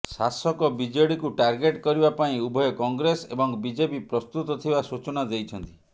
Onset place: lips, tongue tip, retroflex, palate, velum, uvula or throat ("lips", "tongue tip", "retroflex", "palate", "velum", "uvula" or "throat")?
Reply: tongue tip